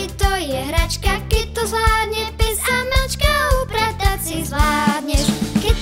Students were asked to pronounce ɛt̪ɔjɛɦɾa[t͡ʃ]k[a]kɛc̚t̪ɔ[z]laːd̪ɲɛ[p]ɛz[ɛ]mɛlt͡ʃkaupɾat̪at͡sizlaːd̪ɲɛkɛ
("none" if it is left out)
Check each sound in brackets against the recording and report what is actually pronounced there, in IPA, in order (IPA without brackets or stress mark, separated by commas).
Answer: t͡ʃ, a, z, p, a